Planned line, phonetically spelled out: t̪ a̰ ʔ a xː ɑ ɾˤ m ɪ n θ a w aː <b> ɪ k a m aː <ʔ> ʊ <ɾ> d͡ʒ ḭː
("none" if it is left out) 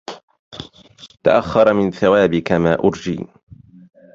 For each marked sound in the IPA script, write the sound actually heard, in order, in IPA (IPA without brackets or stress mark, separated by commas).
b, ʔ, ɾ